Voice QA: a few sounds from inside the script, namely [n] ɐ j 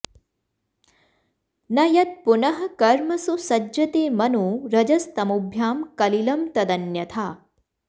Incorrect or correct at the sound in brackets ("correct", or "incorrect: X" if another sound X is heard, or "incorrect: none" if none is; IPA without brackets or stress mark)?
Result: correct